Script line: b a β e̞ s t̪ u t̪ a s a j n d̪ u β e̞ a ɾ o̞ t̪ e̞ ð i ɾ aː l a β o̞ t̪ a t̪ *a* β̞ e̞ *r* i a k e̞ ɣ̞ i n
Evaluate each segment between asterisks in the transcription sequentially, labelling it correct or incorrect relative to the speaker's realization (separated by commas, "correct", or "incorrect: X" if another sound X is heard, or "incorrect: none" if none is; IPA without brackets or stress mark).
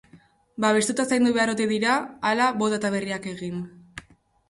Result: correct, correct